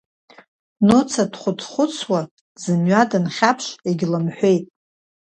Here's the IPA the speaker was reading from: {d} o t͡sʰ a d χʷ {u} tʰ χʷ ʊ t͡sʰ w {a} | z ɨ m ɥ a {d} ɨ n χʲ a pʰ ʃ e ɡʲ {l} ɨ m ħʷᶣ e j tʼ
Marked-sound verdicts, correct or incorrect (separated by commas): incorrect, incorrect, correct, correct, correct